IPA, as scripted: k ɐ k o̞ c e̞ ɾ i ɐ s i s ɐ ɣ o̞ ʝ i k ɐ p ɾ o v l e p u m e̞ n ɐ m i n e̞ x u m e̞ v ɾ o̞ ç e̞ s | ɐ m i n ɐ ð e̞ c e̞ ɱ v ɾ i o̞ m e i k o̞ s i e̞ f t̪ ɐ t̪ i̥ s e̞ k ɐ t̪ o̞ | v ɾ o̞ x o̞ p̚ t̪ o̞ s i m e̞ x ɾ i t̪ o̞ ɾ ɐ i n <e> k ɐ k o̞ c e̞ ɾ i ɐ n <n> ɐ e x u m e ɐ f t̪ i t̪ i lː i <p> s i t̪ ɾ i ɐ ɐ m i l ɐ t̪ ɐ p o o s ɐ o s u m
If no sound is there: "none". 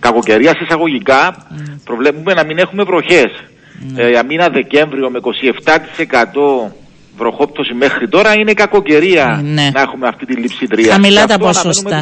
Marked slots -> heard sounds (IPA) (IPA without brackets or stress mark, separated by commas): e, n, p